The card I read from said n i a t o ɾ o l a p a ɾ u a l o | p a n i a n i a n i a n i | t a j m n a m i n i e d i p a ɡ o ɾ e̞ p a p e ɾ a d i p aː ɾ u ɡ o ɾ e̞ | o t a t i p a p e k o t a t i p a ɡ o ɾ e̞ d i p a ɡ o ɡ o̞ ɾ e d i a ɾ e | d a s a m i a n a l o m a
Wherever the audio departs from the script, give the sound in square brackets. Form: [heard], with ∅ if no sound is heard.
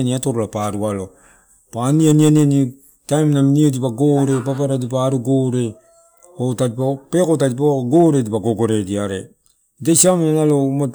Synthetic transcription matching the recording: n i a t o ɾ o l a p a ɾ u a l o | p a n i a n i a n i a n i | t a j m n a m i n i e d i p a ɡ o ɾ e̞ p a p [a] ɾ a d i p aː ɾ u ɡ o ɾ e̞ | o t a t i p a p e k o t a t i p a ɡ o ɾ e̞ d i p a ɡ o ɡ o̞ ɾ e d i a ɾ e | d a s a m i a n a l o m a